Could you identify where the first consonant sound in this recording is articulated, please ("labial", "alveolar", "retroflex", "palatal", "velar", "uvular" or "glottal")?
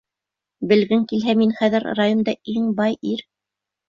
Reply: labial